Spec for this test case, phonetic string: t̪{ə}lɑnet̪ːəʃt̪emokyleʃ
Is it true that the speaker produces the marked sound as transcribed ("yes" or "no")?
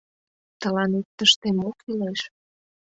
yes